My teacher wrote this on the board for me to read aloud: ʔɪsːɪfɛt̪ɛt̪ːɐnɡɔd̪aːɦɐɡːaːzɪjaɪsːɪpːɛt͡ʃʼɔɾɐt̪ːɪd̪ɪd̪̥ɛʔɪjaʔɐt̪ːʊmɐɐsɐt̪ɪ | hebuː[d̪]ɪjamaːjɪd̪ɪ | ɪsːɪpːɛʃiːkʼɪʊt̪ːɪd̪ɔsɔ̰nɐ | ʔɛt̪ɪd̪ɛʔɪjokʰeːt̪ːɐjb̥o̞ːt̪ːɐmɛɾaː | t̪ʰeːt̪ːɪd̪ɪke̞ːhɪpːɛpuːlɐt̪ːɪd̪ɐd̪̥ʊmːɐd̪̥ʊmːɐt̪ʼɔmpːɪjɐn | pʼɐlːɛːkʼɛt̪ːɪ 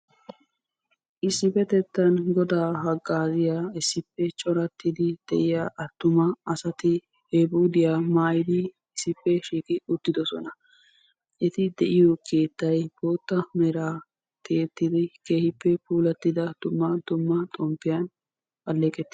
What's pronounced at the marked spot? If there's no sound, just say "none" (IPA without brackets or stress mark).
d̪